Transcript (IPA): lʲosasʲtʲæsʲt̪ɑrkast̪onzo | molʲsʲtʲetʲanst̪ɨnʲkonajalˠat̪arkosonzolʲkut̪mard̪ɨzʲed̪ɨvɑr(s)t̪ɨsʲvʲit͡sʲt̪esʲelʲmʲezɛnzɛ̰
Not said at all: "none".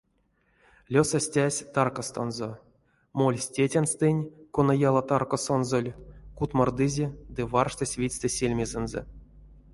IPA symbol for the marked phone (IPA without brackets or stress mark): ʂ